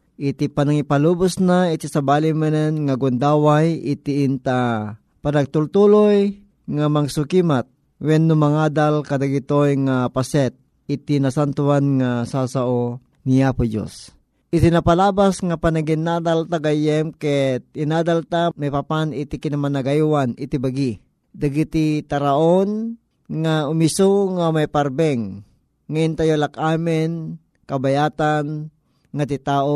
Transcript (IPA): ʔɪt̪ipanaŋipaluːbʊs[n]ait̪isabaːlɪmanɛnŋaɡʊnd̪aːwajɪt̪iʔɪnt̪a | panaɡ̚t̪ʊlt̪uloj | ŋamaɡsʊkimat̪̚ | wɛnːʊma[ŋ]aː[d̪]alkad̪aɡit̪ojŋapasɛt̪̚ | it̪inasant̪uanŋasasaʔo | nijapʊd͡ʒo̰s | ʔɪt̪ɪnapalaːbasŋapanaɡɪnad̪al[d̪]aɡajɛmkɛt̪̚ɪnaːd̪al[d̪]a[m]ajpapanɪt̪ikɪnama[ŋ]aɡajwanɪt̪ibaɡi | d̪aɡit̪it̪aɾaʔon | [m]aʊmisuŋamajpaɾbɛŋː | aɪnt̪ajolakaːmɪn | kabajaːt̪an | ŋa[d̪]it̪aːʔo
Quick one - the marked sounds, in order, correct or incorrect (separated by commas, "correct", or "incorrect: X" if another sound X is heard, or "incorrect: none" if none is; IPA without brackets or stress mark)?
correct, correct, correct, incorrect: t̪, incorrect: t̪, correct, incorrect: n, incorrect: ŋ, incorrect: t̪